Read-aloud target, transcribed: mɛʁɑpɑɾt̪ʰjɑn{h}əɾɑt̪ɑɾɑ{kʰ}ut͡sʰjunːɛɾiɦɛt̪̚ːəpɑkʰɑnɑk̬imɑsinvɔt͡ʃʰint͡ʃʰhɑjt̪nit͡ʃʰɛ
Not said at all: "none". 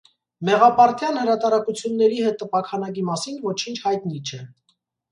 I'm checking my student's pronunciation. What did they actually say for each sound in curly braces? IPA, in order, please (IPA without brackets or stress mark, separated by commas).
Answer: h, k